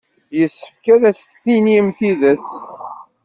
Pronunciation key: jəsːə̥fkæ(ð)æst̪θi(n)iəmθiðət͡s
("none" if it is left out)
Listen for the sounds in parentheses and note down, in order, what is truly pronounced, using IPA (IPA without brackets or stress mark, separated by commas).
ð, n